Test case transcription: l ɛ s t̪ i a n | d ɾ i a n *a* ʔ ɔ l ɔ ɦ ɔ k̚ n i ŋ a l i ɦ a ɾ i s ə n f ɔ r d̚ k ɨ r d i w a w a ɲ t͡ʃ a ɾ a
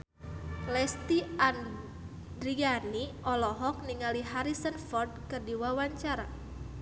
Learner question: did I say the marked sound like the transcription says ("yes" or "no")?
no